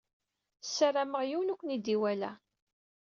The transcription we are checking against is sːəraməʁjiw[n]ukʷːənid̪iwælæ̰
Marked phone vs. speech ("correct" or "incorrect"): correct